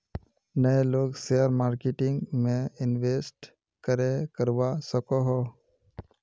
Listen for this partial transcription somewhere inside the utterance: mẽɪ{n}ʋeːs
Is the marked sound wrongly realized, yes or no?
no